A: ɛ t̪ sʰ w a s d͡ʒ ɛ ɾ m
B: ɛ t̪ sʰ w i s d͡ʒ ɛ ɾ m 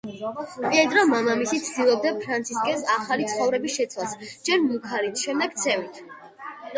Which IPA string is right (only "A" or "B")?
A